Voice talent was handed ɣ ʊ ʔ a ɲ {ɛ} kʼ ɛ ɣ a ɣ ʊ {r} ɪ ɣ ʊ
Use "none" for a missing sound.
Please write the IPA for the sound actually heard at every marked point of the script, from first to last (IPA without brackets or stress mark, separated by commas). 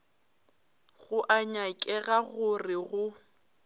a, r